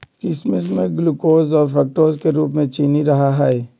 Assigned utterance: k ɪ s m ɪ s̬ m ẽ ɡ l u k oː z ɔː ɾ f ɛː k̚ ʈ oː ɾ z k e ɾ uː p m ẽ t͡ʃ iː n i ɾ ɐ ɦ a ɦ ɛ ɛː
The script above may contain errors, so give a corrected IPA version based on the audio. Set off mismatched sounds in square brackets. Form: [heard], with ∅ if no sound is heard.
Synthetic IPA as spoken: k ɪ s m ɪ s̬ m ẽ ɡ l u k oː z ɔː ɾ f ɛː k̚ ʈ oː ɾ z k e ɾ uː p m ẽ t͡ʃ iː n i ɾ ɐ ɦ a ɦ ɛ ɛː